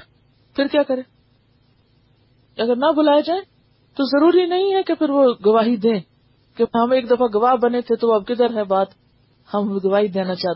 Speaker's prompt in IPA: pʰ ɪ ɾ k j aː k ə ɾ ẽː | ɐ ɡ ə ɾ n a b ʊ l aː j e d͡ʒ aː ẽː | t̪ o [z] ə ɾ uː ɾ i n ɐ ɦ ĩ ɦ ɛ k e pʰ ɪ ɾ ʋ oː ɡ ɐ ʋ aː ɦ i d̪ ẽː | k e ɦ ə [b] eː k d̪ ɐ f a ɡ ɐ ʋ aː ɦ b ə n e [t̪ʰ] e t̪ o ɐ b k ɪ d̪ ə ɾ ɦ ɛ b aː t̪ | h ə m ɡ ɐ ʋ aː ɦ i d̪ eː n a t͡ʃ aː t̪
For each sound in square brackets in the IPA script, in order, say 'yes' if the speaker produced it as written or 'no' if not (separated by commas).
yes, no, yes